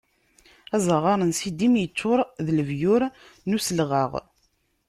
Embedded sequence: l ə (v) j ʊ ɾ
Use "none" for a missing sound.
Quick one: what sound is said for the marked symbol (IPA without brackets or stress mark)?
v